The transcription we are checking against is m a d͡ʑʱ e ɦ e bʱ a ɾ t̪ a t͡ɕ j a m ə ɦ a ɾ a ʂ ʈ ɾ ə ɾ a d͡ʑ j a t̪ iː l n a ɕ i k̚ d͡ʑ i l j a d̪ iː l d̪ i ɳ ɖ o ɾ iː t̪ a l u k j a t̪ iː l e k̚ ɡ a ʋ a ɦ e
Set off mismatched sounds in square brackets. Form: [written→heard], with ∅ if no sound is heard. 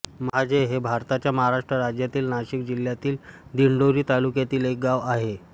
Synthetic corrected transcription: m a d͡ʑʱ e ɦ e bʱ a ɾ t̪ a t͡ɕ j a m ə ɦ a ɾ a ʂ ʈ ɾ ə ɾ a d͡ʑ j a t̪ iː l n a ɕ i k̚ d͡ʑ i l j a [d̪→t̪] iː l d̪ i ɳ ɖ o ɾ iː t̪ a l u k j a t̪ iː l e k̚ ɡ a ʋ a ɦ e